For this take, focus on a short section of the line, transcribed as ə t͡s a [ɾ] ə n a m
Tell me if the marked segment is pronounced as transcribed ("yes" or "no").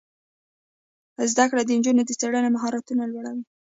no